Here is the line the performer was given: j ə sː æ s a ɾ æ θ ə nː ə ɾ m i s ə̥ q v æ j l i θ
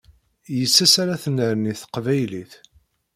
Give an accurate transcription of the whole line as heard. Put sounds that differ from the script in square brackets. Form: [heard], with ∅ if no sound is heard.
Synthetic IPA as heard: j ə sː æ s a ɾ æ θ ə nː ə ɾ [n] i [θ] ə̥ q v æ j l i θ